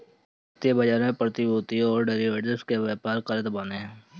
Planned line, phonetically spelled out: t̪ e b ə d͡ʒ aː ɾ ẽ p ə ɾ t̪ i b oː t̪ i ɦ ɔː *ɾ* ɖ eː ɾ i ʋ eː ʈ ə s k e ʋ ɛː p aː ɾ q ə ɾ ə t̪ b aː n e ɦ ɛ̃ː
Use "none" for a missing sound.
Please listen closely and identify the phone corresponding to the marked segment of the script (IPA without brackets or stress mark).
ɾ